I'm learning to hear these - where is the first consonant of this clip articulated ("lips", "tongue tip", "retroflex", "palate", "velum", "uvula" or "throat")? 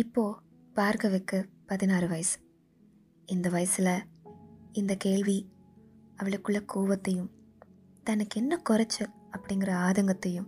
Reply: lips